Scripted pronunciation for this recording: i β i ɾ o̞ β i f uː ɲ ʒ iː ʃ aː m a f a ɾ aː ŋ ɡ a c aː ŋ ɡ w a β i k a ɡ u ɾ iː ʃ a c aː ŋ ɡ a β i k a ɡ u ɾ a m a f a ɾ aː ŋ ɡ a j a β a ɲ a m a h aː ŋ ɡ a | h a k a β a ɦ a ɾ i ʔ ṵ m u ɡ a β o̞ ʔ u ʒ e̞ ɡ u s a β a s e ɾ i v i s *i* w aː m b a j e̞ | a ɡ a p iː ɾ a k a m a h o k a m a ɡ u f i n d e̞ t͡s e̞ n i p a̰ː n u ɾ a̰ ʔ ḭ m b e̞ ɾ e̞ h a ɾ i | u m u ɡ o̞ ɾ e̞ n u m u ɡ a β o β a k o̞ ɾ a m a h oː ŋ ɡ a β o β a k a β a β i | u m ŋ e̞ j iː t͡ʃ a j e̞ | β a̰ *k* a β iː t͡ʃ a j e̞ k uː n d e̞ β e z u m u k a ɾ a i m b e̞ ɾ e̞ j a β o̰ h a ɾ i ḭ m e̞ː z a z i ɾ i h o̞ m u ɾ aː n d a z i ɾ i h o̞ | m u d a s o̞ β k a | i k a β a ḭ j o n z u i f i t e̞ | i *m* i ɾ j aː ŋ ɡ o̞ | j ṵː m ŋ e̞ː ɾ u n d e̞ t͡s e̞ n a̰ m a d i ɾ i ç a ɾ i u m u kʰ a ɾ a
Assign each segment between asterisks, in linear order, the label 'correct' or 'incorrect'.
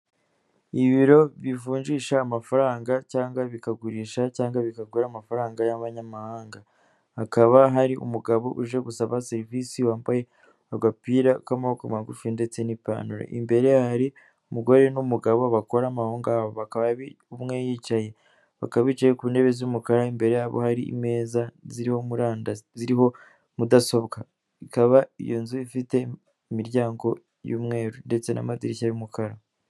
correct, correct, correct

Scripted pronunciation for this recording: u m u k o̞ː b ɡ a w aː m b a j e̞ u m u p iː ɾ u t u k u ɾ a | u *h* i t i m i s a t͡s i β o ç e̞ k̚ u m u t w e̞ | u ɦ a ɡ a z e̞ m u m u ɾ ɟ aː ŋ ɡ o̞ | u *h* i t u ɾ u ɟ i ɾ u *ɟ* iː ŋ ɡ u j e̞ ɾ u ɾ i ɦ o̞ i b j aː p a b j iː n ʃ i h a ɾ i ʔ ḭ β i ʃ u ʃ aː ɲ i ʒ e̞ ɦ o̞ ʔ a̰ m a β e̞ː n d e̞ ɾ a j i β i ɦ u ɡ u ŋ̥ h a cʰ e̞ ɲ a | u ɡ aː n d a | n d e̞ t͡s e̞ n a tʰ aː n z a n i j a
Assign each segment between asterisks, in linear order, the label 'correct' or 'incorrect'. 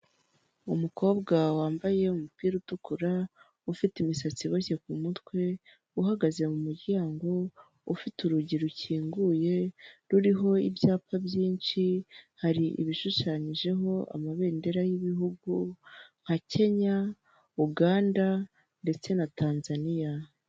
incorrect, incorrect, incorrect

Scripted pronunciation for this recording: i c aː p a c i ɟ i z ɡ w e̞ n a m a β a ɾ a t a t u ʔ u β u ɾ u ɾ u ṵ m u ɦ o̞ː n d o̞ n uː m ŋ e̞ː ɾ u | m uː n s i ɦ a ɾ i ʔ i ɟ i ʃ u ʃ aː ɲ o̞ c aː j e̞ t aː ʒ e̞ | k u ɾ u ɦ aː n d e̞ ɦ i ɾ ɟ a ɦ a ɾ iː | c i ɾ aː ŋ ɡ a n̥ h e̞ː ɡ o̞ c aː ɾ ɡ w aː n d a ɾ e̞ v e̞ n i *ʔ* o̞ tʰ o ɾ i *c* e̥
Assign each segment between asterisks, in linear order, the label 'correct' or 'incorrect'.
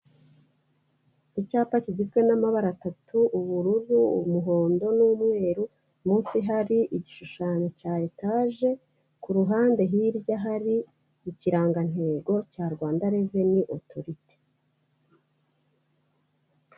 correct, incorrect

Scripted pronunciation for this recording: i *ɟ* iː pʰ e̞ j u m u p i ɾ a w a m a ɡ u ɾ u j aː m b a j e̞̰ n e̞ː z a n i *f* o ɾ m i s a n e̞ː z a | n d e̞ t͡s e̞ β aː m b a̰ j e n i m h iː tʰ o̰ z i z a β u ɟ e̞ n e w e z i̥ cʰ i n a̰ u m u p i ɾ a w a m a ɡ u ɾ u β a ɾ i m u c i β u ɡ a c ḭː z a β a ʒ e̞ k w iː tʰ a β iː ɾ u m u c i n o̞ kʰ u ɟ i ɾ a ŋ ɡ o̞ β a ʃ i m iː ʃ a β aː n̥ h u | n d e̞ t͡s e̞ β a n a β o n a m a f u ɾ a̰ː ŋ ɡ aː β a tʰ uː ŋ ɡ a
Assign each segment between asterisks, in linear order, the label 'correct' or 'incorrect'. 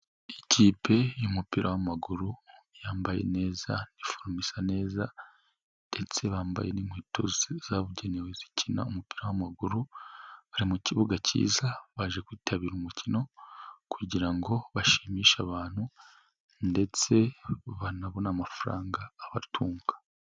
incorrect, correct

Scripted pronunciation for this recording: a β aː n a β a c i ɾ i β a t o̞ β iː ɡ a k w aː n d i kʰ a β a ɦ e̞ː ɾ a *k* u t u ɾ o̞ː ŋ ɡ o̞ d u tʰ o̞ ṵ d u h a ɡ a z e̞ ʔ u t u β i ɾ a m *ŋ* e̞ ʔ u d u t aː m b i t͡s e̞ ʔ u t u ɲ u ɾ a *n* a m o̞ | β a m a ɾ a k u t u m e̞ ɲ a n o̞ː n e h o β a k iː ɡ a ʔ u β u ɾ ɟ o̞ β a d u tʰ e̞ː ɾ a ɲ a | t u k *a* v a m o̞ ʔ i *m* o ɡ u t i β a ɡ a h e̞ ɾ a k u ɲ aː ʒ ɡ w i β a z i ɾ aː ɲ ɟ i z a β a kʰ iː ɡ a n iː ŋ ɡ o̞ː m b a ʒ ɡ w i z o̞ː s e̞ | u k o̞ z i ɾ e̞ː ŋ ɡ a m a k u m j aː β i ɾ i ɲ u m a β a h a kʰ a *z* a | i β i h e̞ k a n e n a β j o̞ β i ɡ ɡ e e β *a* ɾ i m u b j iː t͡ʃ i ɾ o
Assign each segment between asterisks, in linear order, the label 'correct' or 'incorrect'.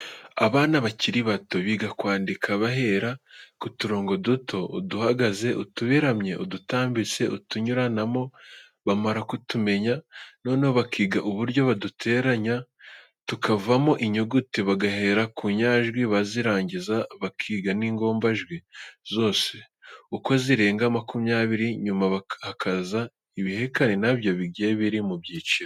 correct, incorrect, correct, correct, incorrect, correct, incorrect

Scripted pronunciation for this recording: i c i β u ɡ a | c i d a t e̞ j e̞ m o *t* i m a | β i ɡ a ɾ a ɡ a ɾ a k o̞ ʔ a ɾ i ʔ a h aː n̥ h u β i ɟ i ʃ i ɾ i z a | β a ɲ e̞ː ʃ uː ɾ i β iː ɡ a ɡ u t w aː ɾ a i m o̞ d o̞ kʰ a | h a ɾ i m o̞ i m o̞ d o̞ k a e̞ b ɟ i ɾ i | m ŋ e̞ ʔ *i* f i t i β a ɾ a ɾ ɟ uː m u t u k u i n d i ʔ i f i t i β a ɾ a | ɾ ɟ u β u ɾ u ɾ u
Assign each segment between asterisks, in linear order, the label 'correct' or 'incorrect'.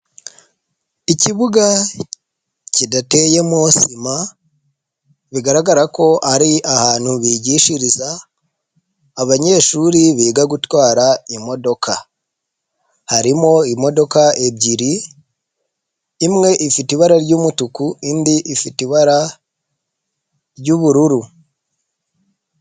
incorrect, correct

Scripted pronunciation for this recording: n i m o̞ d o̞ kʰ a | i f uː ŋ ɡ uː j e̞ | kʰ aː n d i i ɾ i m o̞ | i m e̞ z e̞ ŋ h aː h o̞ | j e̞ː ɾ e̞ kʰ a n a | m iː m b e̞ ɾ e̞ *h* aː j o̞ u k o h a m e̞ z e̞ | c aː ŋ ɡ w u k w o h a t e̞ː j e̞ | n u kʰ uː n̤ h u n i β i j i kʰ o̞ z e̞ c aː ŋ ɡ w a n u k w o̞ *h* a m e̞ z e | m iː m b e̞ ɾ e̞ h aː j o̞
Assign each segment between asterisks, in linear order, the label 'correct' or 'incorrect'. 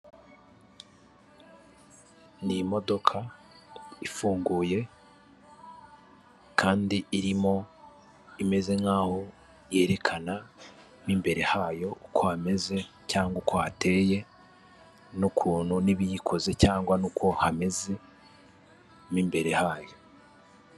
correct, correct

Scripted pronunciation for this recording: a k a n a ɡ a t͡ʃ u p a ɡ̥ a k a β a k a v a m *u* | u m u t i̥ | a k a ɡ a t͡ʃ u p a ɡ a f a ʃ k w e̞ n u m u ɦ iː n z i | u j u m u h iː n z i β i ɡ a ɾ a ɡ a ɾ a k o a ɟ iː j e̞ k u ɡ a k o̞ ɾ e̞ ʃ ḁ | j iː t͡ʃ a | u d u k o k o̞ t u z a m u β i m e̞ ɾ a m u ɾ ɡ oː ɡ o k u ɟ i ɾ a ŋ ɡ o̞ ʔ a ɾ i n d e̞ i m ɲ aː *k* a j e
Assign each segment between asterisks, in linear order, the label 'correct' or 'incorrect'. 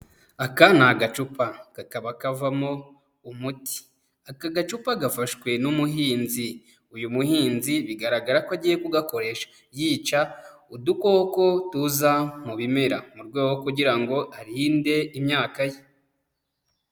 incorrect, correct

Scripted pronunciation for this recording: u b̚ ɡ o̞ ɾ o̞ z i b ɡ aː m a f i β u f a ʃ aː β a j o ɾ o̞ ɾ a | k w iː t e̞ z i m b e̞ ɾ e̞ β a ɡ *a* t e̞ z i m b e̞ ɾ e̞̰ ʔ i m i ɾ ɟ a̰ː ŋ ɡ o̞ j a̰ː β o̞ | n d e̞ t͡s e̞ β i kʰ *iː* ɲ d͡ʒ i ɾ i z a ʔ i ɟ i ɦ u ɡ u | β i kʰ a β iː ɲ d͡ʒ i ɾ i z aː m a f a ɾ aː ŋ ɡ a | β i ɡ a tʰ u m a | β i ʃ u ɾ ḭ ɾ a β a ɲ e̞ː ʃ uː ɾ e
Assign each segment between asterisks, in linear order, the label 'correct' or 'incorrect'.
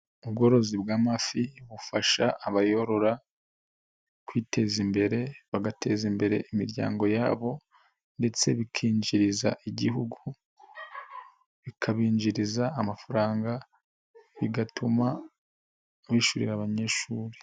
correct, correct

